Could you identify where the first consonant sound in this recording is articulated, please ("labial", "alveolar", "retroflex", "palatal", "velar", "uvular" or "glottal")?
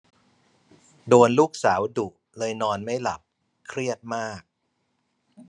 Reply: alveolar